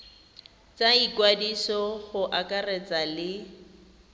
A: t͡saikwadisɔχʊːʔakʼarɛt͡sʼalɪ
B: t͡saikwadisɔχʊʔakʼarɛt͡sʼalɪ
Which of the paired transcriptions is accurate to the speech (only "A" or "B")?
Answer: B